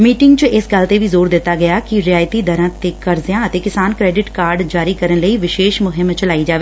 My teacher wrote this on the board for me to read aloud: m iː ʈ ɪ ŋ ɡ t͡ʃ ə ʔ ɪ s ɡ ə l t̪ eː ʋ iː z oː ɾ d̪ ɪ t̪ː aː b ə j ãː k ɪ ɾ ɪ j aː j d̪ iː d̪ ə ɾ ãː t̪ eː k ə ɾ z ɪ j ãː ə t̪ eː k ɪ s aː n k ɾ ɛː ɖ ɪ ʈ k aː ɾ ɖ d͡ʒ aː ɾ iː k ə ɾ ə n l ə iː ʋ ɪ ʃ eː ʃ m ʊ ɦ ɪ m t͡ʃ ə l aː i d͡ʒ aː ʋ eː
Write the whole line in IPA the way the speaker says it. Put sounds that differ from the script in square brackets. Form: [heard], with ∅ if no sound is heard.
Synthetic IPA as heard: m iː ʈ ɪ ŋ ɡ t͡ʃ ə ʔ ɪ s ɡ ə l t̪ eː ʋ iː z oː ɾ d̪ ɪ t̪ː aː [ɡ] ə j [aː] k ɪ ɾ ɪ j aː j [t̪] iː d̪ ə ɾ ãː t̪ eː k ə ɾ z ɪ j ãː ə t̪ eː k ɪ s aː n k ɾ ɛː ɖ ɪ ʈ k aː ɾ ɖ d͡ʒ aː ɾ iː k ə ɾ ə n l ə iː ʋ ɪ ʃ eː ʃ m ʊ ɦ ɪ m t͡ʃ ə l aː i d͡ʒ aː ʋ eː